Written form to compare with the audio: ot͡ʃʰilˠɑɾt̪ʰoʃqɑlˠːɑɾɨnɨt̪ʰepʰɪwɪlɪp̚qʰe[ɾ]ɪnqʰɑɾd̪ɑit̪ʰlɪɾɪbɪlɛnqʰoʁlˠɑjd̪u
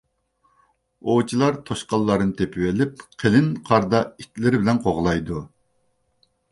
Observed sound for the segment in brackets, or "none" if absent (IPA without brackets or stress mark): l